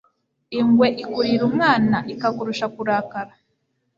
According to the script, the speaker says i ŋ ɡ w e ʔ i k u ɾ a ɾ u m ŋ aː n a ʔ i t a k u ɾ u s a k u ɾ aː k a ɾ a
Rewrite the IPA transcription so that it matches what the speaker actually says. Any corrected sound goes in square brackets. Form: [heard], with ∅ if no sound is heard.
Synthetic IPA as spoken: i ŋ ɡ w e ʔ i k u ɾ [i] ɾ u m ŋ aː n a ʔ i [k] a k u ɾ u [ʃ] a k u ɾ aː k a ɾ a